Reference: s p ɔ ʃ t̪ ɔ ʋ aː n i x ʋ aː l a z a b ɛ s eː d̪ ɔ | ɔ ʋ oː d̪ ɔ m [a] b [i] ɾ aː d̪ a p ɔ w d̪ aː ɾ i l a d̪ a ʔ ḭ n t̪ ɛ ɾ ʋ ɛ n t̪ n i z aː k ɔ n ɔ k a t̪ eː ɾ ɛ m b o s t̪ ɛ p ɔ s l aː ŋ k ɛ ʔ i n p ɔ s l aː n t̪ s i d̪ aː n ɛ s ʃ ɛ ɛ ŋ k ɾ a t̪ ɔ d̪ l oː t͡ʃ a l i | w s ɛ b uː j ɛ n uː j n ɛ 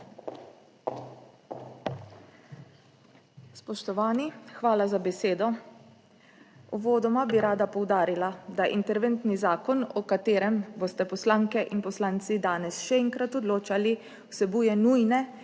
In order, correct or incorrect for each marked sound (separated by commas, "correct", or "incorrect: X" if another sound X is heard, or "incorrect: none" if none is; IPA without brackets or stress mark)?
correct, correct